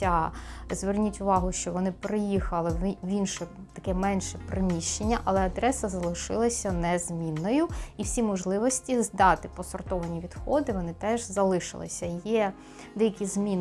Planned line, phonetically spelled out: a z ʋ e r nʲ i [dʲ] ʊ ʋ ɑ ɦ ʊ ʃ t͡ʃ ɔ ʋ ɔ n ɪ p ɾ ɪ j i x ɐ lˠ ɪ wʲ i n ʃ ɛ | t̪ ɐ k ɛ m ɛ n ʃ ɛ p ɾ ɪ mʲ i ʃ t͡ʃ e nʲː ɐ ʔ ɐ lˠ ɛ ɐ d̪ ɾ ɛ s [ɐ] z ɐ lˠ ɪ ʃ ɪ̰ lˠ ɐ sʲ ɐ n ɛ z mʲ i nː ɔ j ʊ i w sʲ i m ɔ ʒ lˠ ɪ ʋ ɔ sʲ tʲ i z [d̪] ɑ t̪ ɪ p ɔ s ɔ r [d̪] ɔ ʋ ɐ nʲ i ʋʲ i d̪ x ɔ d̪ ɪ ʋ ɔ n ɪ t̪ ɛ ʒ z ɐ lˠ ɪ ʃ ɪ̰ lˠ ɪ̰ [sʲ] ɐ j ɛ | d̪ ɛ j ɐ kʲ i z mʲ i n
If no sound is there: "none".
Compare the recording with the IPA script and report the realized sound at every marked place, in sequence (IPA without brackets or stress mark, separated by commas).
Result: tʲ, ɐ, d̪, t̪, sʲ